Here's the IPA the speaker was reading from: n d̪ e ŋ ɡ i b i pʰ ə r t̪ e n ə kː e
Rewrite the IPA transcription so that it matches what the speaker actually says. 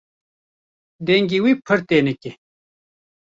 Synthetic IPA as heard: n d̪ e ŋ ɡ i w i pʰ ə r t̪ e n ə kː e